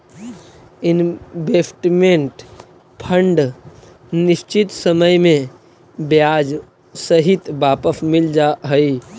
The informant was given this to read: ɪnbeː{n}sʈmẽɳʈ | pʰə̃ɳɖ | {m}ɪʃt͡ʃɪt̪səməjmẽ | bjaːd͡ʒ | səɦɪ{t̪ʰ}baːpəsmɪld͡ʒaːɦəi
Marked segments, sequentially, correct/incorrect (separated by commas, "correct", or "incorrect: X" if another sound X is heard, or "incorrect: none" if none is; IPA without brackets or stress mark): incorrect: none, incorrect: n, incorrect: t̪